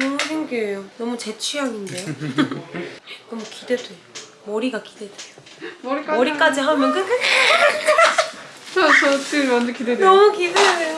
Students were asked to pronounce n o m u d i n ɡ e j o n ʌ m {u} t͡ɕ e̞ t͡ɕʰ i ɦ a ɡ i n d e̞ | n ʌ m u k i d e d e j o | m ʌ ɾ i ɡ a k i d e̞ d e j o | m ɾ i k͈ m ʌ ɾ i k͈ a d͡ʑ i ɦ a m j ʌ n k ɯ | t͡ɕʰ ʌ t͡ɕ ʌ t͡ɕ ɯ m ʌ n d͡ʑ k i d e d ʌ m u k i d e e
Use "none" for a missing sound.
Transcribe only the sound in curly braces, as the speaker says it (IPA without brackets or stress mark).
u